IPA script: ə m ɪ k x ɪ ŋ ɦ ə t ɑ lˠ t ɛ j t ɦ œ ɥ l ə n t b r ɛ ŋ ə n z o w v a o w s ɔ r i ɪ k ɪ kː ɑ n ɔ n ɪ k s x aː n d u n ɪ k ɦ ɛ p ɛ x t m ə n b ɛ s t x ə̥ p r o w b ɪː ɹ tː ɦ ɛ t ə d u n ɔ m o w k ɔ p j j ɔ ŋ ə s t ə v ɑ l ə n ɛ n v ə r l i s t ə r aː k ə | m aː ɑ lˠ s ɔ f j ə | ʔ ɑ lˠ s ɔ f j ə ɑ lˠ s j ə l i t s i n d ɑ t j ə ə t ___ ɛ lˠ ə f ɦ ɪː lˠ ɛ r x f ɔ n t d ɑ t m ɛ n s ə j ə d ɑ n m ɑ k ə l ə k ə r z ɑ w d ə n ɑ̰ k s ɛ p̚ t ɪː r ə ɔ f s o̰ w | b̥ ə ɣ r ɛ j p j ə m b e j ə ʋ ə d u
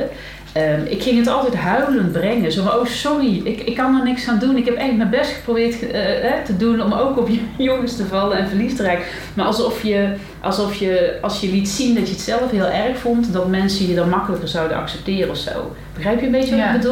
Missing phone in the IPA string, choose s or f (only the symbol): s